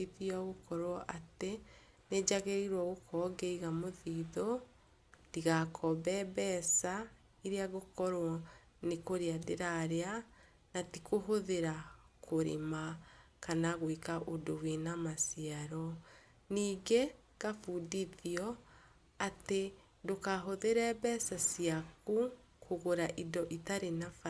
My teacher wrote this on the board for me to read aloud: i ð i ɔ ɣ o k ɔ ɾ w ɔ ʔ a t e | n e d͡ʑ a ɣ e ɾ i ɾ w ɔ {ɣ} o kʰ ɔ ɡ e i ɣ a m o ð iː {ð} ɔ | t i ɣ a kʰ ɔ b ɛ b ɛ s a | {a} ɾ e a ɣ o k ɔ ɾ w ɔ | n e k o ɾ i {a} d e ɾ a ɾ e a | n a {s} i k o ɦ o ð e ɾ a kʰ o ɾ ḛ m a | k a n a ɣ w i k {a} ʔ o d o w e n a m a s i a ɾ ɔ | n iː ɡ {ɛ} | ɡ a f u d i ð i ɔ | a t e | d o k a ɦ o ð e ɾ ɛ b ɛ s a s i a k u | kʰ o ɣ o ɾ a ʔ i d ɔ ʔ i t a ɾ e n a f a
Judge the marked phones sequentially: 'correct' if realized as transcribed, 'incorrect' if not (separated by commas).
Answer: correct, correct, incorrect, correct, incorrect, correct, incorrect